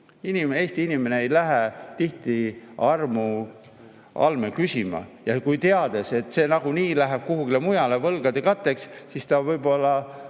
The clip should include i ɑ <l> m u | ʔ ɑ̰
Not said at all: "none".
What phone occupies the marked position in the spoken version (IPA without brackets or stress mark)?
r